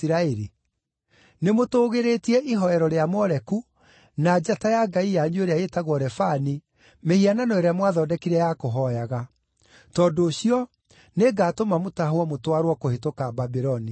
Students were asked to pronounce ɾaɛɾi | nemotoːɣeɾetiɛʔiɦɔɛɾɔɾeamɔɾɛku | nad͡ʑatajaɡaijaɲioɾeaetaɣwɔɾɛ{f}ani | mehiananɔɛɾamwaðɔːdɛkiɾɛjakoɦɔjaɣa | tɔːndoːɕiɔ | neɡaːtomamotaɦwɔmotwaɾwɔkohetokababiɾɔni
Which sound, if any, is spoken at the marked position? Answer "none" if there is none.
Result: f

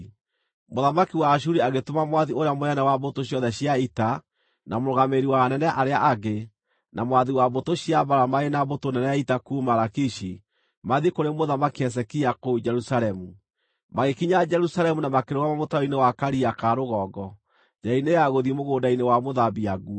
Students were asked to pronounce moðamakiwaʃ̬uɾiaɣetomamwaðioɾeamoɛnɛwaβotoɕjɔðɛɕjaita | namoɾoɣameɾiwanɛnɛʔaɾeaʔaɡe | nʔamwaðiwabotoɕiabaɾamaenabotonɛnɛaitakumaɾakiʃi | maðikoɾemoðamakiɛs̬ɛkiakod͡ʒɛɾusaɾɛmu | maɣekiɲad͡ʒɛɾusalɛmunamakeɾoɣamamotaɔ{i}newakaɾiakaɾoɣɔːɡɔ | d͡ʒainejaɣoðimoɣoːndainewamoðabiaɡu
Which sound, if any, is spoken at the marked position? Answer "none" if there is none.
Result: i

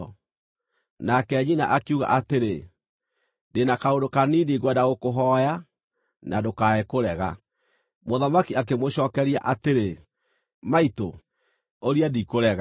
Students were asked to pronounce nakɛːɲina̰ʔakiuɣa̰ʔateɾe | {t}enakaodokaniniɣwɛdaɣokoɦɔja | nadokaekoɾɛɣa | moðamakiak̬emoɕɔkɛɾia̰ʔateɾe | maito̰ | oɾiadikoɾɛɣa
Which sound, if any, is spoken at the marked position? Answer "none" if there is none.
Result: d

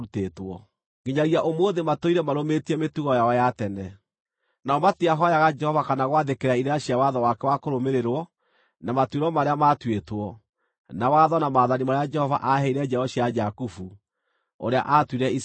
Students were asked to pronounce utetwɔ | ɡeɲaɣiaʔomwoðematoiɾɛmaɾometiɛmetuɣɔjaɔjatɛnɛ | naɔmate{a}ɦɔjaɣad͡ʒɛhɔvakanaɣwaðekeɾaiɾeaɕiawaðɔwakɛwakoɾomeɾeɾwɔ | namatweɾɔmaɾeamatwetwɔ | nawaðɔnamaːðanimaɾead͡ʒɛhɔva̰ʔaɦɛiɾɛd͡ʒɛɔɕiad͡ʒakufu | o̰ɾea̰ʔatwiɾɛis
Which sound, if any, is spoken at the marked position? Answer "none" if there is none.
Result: a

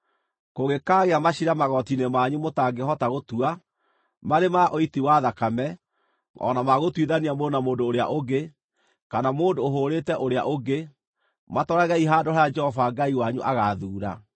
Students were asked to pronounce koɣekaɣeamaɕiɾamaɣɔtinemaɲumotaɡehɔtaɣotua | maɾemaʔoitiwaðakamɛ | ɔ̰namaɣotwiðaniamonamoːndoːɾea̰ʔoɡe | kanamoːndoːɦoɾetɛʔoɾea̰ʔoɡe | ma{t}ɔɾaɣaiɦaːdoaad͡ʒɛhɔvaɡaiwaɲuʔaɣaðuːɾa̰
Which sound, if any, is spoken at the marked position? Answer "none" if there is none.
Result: t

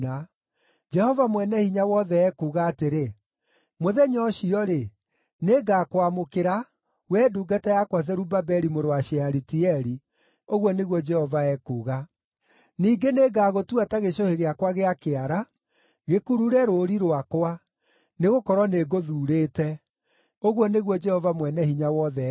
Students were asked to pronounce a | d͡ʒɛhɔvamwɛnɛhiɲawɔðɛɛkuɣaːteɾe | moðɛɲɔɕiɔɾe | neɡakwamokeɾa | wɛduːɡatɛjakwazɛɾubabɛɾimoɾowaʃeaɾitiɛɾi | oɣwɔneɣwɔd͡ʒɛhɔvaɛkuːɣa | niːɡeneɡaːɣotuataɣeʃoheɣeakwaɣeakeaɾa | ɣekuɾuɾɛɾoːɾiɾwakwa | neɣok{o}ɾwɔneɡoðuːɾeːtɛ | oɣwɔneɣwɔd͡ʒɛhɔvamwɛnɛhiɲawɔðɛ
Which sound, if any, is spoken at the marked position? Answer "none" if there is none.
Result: ɔ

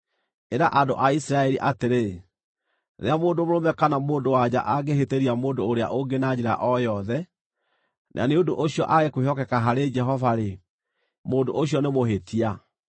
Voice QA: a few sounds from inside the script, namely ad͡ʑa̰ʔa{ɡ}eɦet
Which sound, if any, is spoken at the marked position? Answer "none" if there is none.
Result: ɡ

